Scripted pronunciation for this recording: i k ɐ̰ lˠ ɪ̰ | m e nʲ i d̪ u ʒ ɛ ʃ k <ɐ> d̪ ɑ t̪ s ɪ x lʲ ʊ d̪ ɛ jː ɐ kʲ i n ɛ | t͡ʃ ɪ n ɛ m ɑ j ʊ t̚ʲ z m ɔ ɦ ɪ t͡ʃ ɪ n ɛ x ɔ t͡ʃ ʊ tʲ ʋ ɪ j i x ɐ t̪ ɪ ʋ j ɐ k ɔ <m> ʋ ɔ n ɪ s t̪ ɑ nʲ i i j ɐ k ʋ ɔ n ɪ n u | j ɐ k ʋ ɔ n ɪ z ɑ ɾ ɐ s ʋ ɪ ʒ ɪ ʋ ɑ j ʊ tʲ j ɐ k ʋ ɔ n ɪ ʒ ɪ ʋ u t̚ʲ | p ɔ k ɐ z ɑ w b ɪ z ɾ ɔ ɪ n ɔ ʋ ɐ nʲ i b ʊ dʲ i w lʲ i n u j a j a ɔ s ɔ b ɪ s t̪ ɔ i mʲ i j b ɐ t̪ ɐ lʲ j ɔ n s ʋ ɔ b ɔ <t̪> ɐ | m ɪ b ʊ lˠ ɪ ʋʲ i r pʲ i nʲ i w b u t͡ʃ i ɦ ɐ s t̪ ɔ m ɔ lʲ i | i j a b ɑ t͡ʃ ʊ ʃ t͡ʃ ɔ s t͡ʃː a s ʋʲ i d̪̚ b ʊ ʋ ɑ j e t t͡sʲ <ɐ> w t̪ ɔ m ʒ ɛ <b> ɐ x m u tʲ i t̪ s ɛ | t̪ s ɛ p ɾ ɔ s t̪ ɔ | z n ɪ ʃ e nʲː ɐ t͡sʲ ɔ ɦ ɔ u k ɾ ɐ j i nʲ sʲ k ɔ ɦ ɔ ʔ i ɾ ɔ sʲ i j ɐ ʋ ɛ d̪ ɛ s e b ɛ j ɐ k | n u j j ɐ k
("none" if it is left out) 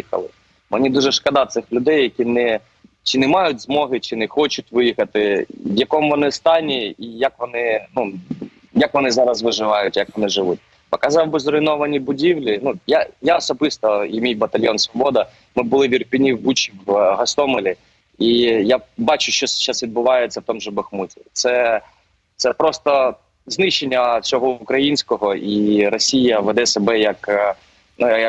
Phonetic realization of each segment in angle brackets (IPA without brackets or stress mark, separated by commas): ɐ, m, d̪, ɐ, b